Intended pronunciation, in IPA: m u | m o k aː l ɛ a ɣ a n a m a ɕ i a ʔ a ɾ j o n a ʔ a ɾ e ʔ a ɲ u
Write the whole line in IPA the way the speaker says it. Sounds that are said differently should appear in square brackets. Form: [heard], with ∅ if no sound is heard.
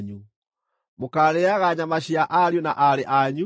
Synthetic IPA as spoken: [ɲ] u | m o k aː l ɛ a ɣ a [ɲ] a m a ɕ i a ʔ a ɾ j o n a ʔ a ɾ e ʔ a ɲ u

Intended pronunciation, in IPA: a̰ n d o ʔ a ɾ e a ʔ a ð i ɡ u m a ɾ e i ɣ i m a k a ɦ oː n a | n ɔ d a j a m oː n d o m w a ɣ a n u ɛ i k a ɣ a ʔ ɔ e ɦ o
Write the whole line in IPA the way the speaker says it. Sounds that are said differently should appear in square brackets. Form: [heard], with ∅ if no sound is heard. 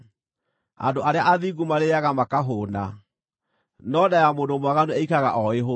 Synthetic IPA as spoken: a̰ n d o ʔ a ɾ e a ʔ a ð i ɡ u m a ɾ e [a] ɣ [a] m a k a ɦ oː n a | n ɔ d a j a m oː n d o m w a ɣ a n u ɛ i k a ɣ a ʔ ɔ e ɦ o

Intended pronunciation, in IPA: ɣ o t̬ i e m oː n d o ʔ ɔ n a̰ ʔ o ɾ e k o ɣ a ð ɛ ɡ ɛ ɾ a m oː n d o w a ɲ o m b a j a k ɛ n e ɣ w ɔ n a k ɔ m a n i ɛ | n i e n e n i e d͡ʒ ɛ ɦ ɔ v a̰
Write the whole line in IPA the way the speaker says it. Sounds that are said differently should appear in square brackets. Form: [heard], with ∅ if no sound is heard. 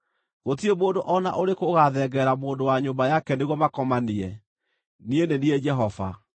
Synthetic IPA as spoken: ɣ o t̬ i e m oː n d o ʔ ɔ n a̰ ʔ o ɾ e k o ɣ a ð ɛ ɡ ɛ ɾ a m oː n d o w a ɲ o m b a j a k ɛ n e ɣ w ɔ [m] a k ɔ m a n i ɛ | n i e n e n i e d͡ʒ ɛ ɦ ɔ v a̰

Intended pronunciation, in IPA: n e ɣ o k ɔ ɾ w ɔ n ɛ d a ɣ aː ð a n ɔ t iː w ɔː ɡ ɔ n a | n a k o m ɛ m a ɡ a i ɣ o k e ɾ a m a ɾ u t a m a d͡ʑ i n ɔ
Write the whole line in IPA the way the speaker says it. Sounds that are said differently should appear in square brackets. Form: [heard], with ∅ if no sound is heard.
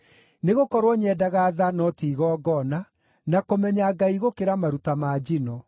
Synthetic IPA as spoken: n e ɣ o k ɔ ɾ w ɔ [ɲ] ɛ d a ɣ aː ð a n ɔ t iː [ɣ] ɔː ɡ ɔ n a | n a k o m ɛ [ɲ] a ɡ a i ɣ o k e ɾ a m a ɾ u t a m a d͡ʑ i n ɔ

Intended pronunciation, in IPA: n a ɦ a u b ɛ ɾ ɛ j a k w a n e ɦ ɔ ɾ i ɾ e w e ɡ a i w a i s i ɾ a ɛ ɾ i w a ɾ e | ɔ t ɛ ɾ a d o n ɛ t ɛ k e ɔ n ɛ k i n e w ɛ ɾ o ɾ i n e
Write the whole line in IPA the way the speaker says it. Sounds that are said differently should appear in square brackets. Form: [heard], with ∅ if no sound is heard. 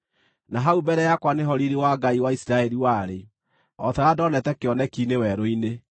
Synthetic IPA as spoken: n a ɦ a u b ɛ ɾ ɛ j a k w a n e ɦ ɔ ɾ i ɾ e w [a] ɡ a i w a i s i ɾ a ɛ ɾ i w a ɾ e | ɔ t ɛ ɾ a d [ɔ] n ɛ t ɛ k e ɔ n ɛ k i n e w ɛ ɾ o [∅] i n e

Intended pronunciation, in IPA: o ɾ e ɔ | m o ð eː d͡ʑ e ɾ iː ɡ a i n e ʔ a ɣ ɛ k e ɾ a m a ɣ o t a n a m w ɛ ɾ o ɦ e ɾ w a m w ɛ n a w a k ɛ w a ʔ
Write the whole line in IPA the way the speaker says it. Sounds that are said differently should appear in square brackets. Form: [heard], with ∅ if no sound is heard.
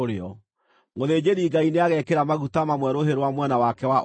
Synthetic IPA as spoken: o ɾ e ɔ | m o ð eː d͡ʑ e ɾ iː ɡ a i n e [∅] a ɣ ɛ k e ɾ a m a ɣ [u] t a [m] a m w ɛ ɾ o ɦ e ɾ w a m w ɛ n a w a k ɛ w a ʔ

